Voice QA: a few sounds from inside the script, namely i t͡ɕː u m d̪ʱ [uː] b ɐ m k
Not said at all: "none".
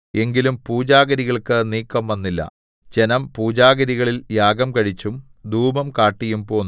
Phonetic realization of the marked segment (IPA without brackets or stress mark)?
uː